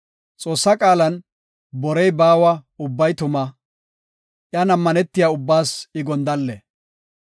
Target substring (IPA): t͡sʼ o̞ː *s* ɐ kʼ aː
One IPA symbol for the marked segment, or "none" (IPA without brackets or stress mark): sː